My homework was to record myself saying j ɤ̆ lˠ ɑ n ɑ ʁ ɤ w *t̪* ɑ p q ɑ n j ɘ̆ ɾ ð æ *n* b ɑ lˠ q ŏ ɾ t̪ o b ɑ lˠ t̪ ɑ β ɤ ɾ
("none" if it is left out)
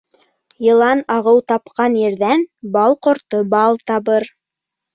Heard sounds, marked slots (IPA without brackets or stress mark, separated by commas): t̪, n